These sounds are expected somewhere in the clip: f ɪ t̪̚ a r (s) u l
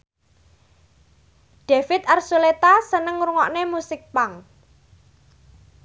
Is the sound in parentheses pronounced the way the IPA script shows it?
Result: yes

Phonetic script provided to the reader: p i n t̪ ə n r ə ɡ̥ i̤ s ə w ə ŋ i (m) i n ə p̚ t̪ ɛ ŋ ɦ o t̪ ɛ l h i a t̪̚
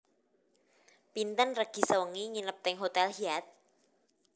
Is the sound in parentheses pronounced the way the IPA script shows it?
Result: no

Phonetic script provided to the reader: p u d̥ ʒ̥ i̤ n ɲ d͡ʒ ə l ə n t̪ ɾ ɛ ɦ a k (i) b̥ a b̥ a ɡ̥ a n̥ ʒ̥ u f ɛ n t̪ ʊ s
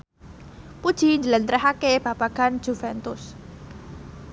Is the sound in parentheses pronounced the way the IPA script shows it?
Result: no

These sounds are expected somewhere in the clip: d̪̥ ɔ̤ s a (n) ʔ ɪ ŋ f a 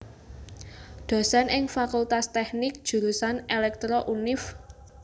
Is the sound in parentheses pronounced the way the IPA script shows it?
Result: yes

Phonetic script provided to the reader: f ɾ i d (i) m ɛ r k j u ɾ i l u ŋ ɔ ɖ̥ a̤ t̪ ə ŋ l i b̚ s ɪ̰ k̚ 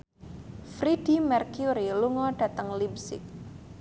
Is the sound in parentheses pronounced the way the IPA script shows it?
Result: yes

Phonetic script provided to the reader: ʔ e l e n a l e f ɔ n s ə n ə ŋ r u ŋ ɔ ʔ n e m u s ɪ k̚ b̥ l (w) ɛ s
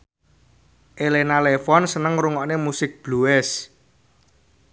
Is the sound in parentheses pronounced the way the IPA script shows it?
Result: no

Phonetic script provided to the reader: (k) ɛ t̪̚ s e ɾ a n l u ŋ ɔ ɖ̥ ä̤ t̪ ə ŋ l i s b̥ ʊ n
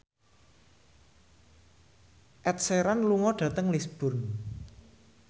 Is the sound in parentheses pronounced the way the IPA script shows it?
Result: no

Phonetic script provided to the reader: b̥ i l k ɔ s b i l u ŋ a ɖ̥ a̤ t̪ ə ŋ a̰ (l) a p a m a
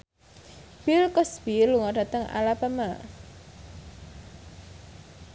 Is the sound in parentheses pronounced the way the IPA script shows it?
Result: yes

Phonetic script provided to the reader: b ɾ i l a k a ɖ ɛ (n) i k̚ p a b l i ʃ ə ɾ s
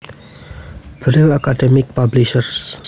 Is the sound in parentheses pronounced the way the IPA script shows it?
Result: no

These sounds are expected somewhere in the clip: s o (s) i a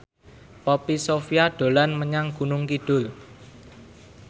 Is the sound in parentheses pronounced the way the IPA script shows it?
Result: no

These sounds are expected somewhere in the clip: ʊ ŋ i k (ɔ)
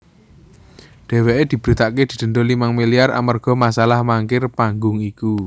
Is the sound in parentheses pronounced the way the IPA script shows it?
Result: no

